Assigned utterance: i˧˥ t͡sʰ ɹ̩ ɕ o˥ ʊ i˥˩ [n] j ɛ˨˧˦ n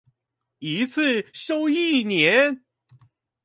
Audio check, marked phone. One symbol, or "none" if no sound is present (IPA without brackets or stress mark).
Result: n